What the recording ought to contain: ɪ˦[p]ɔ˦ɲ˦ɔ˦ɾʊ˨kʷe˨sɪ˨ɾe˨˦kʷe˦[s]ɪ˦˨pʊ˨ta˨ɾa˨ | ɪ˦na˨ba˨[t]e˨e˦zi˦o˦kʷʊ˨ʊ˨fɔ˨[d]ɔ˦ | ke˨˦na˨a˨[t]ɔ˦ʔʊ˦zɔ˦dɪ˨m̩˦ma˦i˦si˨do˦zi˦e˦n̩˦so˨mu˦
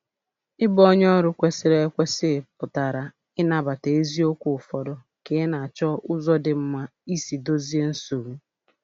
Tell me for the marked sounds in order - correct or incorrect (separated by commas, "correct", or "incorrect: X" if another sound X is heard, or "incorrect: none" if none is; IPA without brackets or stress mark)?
incorrect: b, correct, correct, correct, incorrect: t͡ʃ